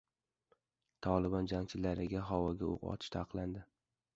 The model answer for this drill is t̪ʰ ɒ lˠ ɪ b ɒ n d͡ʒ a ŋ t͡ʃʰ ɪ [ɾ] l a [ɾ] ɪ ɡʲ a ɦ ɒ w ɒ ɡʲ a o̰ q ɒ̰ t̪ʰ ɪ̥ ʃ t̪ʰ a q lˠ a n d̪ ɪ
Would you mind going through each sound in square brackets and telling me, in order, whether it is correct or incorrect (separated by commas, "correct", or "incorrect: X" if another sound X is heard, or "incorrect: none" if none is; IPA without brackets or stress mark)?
incorrect: none, correct